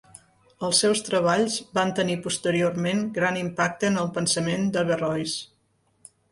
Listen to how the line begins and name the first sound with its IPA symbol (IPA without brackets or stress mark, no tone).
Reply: ə